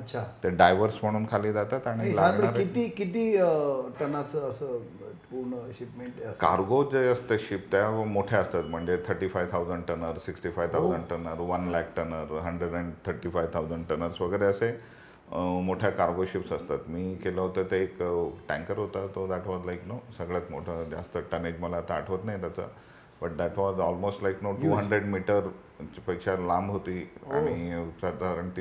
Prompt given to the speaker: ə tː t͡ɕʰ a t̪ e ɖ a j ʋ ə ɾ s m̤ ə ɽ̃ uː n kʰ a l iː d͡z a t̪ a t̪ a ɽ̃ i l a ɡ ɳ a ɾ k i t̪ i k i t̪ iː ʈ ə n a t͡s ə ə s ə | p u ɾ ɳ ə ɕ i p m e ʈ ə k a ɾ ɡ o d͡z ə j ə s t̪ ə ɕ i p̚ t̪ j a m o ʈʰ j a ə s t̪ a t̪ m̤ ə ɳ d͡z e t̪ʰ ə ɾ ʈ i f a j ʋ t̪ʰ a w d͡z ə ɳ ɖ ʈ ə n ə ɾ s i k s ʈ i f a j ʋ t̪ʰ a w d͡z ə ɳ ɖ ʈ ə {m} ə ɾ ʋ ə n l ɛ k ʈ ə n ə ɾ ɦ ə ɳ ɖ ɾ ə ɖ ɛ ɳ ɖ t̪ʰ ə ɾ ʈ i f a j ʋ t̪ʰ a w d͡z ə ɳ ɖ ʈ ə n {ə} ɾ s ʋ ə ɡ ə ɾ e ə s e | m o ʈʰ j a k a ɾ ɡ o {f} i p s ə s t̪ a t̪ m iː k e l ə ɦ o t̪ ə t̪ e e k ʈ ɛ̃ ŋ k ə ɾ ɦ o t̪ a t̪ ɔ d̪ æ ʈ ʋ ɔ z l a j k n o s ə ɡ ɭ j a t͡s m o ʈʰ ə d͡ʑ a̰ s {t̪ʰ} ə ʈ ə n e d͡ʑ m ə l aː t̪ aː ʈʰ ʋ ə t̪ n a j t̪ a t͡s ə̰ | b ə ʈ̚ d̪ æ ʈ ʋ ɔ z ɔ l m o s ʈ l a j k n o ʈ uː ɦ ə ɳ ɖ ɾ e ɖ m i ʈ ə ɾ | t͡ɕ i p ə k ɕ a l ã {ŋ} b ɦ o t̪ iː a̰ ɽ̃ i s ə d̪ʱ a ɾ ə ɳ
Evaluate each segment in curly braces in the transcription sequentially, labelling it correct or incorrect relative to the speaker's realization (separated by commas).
incorrect, correct, incorrect, incorrect, incorrect